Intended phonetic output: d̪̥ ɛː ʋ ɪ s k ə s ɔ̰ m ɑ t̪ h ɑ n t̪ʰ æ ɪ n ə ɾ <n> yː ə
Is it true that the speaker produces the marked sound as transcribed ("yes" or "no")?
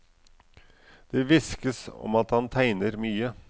no